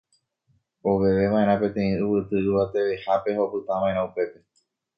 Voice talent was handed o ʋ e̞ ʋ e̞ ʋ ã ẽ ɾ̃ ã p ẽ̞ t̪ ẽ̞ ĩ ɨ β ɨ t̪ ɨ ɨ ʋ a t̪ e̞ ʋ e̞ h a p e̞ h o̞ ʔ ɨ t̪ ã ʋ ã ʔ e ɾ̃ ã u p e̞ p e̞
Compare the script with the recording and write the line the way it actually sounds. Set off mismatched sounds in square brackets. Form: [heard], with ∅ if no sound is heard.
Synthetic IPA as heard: o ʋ e̞ ʋ e̞ ʋ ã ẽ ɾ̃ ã p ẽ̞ t̪ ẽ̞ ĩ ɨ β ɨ t̪ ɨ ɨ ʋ a t̪ e̞ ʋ e̞ h a p e̞ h o̞ [p] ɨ t̪ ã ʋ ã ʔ e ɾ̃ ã u p e̞ p e̞